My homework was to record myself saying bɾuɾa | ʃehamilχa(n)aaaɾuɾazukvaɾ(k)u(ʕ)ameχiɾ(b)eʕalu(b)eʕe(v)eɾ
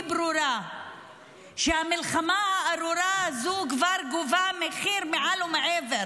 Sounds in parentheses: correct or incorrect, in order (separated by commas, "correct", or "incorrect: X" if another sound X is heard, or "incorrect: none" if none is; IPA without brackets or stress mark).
incorrect: m, incorrect: ɡ, incorrect: v, incorrect: m, incorrect: m, correct